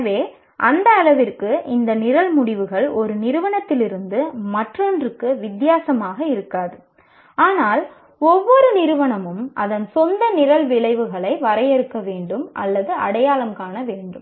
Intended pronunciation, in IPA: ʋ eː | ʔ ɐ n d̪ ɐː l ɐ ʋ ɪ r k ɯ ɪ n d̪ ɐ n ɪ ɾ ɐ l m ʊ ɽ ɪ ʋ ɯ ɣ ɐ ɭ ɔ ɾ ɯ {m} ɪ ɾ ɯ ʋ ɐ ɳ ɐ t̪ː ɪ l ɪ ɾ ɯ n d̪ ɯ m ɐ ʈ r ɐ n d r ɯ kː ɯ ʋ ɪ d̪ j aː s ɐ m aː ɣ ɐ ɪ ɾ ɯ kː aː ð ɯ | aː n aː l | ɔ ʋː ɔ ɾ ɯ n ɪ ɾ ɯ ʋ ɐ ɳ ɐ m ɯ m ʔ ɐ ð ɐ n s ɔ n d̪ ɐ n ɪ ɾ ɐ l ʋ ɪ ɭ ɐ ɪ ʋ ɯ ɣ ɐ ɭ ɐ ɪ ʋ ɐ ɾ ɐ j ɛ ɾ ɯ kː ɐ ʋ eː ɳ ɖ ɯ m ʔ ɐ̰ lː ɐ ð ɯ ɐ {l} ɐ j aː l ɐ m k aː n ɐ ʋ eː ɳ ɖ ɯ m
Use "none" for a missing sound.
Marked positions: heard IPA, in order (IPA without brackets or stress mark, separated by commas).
n, ɽ